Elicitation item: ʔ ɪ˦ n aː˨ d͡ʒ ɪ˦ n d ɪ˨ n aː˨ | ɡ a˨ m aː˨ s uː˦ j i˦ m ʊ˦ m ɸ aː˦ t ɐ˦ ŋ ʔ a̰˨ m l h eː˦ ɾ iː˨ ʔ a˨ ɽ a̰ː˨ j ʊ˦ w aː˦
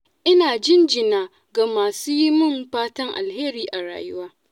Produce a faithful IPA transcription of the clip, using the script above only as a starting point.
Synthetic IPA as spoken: ʔ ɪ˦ n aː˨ d͡ʒ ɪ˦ n d͡ʒ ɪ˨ n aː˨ | ɡ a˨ m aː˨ s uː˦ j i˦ m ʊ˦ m ɸ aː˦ t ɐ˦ ŋ ʔ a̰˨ l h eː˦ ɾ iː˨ ʔ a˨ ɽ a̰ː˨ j ʊ˦ w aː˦